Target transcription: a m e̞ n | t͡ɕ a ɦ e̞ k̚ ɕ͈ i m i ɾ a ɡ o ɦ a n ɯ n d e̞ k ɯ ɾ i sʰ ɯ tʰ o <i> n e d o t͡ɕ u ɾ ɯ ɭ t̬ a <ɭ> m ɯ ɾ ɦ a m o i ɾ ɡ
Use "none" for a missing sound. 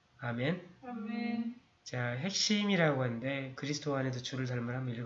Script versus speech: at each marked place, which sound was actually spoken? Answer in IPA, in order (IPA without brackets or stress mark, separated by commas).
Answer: a, ɭ